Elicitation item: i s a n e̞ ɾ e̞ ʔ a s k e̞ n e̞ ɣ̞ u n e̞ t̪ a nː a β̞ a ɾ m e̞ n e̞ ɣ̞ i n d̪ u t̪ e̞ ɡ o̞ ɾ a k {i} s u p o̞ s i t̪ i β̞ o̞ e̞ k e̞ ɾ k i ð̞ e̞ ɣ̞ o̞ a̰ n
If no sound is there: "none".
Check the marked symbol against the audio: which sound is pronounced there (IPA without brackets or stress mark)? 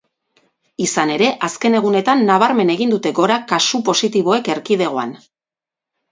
a